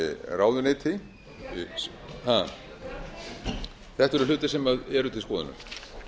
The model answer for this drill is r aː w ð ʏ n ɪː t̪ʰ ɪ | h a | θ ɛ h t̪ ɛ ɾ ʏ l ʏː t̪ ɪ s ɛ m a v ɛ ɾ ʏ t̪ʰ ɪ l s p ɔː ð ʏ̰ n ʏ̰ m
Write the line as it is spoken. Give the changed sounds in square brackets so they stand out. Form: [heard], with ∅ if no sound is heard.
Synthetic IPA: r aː w ð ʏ n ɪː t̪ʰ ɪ | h a | θ ɛ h t̪ ɛ ɾ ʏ l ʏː t̪ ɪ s ɛ m a [ð] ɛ ɾ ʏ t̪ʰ ɪ l s [k] ɔː ð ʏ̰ n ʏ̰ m

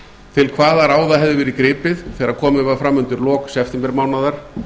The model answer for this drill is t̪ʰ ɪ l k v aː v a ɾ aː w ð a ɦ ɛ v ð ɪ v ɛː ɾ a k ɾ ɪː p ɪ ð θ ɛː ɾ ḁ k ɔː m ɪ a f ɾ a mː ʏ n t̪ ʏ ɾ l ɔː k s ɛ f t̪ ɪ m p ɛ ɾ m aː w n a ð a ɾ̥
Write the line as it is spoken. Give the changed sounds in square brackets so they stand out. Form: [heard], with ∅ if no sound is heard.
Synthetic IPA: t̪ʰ ɪ l [kʰ] v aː [ð] a ɾ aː w ð a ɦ ɛ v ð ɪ v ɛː ɾ [i] k ɾ ɪː p ɪ ð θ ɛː ɾ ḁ [kʰ] ɔː m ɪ a f ɾ a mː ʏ n t̪ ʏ ɾ l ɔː k s ɛ f t̪ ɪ m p ɛ ɾ m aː w n a ð a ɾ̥

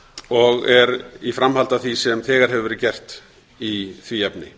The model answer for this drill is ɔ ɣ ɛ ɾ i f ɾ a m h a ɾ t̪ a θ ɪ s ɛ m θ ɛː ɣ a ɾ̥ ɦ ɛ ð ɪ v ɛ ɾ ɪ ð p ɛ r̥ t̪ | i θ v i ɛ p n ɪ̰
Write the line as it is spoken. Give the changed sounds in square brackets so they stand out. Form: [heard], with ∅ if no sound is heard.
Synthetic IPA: ɔ ɣ ɛ ɾ i f ɾ a m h a [l] t̪ a θ [i] s ɛ m θ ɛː ɣ a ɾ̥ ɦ ɛ [v] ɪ v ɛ ɾ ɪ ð [c] ɛ r̥ t̪ | i θ v i ɛ p n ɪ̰

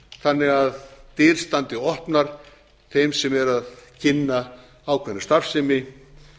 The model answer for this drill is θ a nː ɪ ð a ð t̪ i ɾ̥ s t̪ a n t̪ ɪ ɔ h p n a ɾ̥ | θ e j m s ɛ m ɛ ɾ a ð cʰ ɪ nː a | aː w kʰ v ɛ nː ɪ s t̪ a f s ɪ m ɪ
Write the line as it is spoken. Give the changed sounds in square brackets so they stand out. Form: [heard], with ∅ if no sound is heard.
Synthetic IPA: θ a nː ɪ [ɣ] a ð t̪ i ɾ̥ s t̪ a n t̪ ɪ ɔ h p n a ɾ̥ | θ e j m s ɛ m ɛ ɾ a ð cʰ ɪ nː a | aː w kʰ v ɛ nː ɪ s t̪ a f s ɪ m ɪ

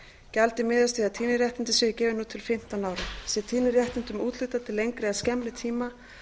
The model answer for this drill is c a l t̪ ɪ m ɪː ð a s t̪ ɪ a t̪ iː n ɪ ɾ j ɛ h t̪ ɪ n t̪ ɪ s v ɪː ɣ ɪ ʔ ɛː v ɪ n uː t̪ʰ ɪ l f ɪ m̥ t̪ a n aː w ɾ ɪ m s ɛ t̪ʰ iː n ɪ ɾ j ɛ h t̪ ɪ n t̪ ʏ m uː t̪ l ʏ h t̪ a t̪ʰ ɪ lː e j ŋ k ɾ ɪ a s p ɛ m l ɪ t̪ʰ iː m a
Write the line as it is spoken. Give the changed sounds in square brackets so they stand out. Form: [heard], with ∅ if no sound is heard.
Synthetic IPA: c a l t̪ ɪ m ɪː ð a s t̪ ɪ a [t̪ʰ] iː n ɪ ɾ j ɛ h t̪ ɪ n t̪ ɪ s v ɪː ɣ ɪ [c] ɛː v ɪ n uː t̪ʰ ɪ l f ɪ m̥ t̪ a n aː w ɾ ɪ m s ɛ t̪ʰ iː n ɪ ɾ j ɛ h t̪ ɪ n t̪ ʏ m uː t̪ l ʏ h t̪ a t̪ʰ ɪ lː e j ŋ k ɾ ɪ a s [c] ɛ m l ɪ t̪ʰ iː m a

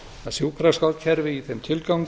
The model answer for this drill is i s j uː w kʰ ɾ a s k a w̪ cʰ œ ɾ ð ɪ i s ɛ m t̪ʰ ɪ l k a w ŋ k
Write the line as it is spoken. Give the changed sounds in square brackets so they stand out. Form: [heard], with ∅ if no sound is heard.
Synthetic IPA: [a] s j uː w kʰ ɾ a s k a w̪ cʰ [ɛ] ɾ [v] ɪ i [θ] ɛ m t̪ʰ ɪ l k a w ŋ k

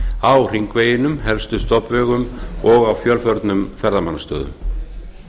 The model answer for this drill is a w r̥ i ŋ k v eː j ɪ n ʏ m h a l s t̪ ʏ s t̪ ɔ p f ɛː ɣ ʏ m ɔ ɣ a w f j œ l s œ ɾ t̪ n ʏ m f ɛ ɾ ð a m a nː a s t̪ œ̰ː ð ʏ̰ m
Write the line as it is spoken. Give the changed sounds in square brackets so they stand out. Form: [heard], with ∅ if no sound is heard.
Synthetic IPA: a w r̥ i ŋ k v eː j ɪ n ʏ m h [ɛ] l s t̪ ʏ s t̪ ɔ p [v] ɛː ɣ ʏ m ɔ ɣ a w f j œ l [f] œ ɾ t̪ n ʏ m f ɛ ɾ ð a m a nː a s t̪ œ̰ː ð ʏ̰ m

